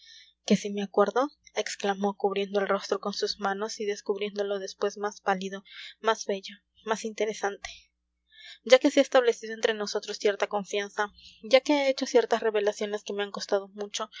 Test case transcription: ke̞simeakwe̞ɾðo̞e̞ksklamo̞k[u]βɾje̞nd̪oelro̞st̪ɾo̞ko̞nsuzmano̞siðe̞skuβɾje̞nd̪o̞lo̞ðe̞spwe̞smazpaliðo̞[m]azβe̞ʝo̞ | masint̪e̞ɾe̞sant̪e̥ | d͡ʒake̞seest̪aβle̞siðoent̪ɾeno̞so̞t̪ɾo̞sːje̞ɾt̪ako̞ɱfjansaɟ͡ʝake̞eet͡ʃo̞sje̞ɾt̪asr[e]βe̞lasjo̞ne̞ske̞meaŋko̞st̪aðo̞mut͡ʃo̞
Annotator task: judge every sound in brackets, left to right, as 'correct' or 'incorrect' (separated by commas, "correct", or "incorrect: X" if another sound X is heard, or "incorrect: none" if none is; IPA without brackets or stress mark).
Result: correct, correct, correct